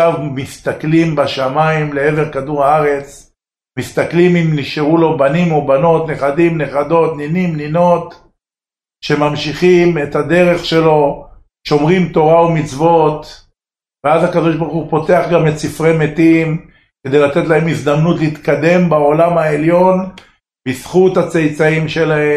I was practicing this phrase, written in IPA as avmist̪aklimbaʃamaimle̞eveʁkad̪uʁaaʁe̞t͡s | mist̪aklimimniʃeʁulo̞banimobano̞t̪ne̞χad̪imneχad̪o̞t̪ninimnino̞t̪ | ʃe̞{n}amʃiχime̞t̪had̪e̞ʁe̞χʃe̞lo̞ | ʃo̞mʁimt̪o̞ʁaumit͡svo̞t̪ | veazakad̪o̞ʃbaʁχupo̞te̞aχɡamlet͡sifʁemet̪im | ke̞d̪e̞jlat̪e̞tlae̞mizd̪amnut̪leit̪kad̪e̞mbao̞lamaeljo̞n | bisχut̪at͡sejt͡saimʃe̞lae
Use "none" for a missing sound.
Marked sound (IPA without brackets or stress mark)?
m